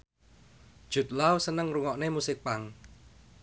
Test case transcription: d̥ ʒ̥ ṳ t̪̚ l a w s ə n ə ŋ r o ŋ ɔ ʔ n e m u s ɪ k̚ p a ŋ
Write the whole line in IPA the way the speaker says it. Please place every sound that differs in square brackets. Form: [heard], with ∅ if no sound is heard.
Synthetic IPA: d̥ ʒ̥ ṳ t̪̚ l a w s ə n ə ŋ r [u] ŋ ɔ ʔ n e m u s ɪ k̚ p a ŋ